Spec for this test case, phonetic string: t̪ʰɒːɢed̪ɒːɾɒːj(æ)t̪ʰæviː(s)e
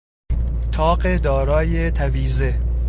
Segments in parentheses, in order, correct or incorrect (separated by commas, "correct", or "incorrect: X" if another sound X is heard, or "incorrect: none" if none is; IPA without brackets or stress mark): incorrect: e, incorrect: z